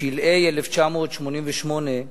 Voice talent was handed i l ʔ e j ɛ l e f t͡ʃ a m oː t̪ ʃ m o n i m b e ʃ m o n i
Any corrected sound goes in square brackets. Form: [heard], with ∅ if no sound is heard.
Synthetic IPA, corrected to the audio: i l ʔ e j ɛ l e f t͡ʃ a m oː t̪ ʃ m o n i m [v] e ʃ m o n [e]